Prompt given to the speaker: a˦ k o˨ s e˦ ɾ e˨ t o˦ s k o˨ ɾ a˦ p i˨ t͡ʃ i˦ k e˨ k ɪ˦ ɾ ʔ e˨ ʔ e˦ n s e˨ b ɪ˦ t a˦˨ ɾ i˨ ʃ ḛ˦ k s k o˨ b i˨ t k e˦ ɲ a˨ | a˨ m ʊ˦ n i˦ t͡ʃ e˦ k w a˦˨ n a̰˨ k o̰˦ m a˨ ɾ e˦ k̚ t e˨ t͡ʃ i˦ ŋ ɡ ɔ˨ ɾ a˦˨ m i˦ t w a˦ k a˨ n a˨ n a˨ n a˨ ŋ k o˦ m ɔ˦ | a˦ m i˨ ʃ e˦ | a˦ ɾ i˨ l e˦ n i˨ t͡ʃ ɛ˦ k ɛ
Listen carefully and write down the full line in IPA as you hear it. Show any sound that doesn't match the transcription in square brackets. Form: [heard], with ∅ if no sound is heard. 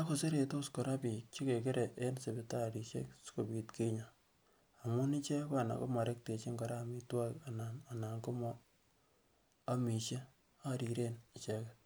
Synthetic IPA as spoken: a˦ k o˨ s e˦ ɾ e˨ t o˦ s k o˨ ɾ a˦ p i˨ t͡ʃ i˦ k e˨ k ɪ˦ ɾ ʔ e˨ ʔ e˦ n s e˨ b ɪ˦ t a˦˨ ɾ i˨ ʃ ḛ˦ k s k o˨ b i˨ t k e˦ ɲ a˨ | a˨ m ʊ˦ n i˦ t͡ʃ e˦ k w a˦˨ n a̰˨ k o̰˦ m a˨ ɾ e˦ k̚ t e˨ t͡ʃ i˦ ŋ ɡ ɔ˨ ɾ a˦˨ m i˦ t w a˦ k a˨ n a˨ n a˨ n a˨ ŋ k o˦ m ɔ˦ | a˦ m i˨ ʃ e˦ | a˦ ɾ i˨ [ɾ] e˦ n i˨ t͡ʃ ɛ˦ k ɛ